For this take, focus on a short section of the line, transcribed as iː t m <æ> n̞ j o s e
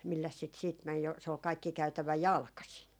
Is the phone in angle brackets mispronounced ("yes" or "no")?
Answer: no